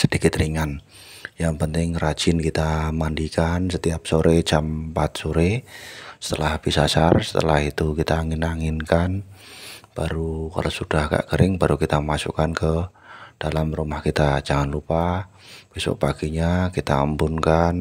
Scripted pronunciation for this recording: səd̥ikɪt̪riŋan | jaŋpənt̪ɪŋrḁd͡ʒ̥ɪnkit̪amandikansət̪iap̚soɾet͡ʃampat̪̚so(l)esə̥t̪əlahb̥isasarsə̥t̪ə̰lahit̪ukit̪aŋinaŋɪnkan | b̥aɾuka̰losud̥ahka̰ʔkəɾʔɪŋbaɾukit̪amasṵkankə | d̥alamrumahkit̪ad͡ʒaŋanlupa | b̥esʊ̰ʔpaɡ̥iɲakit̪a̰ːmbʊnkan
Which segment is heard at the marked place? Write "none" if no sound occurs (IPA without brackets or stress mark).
ɾ